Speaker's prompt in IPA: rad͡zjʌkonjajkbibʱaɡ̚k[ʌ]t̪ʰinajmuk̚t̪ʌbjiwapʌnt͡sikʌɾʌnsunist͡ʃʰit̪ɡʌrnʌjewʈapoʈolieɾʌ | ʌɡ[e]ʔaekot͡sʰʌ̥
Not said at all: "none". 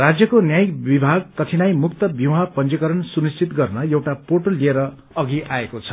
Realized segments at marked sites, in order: ʌ, i

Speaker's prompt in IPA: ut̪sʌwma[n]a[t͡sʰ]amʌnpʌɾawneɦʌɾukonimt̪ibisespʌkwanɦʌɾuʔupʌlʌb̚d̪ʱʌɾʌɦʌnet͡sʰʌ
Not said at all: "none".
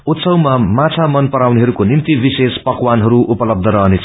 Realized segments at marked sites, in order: m, t͡sʰ

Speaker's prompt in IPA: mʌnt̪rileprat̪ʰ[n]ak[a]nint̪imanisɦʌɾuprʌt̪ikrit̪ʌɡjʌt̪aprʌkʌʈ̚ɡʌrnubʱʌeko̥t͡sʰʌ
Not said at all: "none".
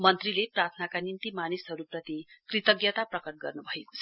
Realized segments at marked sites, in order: n, a

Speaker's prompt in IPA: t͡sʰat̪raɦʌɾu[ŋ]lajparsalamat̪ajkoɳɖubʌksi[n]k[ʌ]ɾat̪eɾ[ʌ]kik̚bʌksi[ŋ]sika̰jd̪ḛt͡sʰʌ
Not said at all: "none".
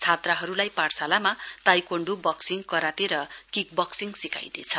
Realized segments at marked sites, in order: none, ŋ, ʌ, ʌ, ŋ

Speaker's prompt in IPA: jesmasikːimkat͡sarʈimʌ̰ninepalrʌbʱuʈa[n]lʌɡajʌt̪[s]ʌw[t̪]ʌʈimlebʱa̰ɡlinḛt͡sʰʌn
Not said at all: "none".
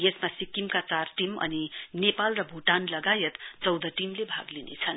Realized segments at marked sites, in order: n, t͡s, d̪

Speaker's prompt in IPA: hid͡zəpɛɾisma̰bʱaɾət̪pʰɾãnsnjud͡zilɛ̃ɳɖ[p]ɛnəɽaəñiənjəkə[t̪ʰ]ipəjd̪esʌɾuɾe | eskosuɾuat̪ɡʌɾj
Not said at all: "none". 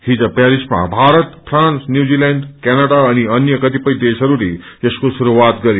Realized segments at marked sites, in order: k, t̪

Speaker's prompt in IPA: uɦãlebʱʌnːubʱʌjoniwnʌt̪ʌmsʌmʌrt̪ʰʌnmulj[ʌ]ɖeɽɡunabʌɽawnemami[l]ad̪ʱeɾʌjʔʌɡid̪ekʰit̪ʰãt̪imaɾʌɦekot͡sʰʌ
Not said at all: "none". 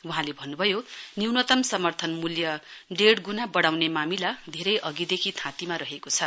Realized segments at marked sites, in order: ʌ, l

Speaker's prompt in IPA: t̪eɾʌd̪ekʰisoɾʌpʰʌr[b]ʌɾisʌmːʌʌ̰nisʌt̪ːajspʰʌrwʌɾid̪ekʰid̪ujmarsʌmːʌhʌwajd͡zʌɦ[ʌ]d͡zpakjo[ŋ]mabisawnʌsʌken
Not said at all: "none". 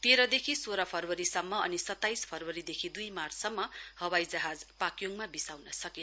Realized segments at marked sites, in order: w, a, ŋ

